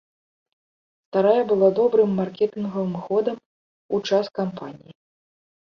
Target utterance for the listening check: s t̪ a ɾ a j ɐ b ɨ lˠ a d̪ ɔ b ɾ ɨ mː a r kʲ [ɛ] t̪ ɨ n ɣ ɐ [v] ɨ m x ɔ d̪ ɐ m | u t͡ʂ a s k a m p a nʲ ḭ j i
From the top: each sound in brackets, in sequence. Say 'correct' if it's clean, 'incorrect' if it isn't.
correct, correct

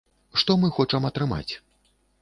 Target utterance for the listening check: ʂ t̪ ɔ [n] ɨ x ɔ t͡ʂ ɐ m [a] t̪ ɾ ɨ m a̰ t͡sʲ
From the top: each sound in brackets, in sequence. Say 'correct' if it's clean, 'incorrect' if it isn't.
incorrect: m, incorrect: ɐ

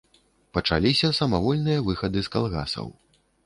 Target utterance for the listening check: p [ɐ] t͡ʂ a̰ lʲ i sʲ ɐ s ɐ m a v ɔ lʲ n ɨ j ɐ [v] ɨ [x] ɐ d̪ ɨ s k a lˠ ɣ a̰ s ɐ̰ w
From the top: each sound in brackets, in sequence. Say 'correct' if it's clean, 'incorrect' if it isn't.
correct, correct, correct

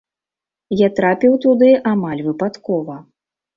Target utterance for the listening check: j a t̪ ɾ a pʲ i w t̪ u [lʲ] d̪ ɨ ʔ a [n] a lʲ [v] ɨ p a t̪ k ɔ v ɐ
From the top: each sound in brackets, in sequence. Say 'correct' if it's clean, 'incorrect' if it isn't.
incorrect: none, incorrect: m, correct

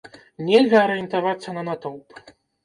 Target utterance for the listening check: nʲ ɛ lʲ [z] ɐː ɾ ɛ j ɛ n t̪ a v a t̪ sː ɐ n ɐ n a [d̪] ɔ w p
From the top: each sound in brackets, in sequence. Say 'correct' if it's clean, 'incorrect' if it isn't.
incorrect: ɣ, incorrect: t̪

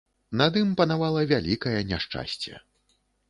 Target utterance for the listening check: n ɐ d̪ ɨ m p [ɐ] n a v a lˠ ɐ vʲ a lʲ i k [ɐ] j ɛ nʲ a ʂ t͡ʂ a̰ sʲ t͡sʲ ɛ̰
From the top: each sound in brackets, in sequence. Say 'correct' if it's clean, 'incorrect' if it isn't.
correct, correct

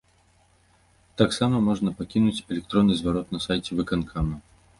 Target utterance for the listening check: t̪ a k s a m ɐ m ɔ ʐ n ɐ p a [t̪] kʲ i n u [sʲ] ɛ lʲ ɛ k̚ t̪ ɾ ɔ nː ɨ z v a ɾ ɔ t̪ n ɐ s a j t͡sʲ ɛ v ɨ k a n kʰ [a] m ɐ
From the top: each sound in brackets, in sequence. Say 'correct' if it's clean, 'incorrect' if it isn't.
incorrect: none, incorrect: t͡sʲ, correct

